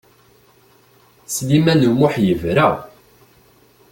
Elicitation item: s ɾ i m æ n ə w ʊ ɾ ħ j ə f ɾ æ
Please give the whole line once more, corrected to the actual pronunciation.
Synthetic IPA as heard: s l i m æ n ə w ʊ ħ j ə v ɾ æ